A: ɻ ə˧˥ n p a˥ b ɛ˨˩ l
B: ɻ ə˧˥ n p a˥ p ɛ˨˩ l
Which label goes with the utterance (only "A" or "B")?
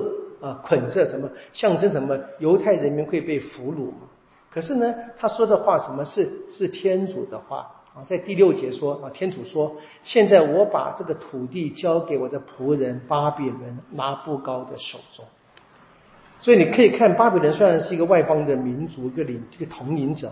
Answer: B